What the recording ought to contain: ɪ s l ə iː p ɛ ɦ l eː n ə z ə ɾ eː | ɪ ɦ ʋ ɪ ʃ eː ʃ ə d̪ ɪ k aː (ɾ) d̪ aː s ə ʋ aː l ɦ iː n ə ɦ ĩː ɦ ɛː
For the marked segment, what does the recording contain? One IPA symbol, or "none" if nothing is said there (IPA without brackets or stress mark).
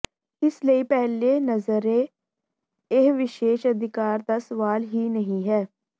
ɾ